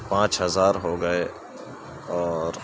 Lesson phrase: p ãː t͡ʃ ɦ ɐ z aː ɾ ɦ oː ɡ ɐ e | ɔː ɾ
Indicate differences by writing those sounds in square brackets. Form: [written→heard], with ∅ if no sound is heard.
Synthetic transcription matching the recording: p ãː t͡ʃ ɦ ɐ z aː ɾ ɦ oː ɡ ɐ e | ɔː ɾ